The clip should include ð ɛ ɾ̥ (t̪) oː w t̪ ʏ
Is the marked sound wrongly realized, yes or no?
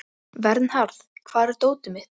no